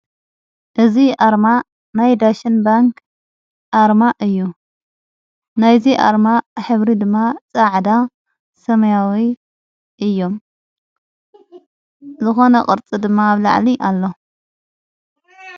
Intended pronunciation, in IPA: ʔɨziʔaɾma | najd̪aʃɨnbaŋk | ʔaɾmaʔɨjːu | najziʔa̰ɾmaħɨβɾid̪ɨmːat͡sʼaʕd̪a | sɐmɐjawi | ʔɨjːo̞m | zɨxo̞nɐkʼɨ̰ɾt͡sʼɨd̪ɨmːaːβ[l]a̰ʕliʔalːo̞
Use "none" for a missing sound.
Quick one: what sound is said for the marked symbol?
l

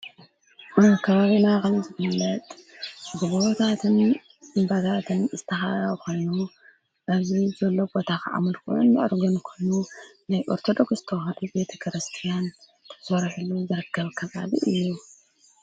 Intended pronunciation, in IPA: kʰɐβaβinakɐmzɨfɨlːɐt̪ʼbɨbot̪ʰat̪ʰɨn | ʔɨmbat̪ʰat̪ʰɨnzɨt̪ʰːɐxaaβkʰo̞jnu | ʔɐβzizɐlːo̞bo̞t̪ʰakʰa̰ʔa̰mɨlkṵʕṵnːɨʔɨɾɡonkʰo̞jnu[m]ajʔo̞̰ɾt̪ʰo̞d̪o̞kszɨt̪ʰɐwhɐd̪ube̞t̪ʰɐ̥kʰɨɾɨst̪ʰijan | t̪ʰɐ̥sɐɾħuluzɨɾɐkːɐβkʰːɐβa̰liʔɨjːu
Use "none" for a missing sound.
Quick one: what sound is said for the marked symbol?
n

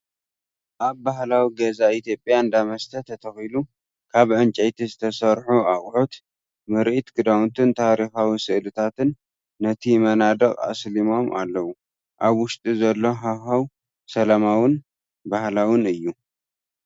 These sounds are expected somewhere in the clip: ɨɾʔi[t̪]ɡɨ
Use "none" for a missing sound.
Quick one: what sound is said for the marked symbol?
t̪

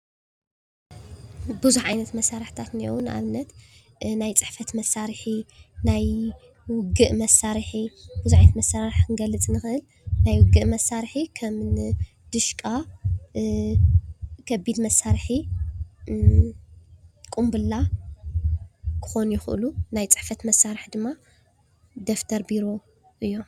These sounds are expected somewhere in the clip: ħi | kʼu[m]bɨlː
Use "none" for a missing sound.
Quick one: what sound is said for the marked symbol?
m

